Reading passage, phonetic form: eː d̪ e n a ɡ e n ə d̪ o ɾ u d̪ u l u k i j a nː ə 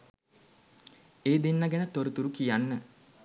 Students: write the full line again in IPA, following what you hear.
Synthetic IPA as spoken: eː d̪ e nː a ɡ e n ə t̪ o ɾ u t̪ u ɾ u k i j a nː ə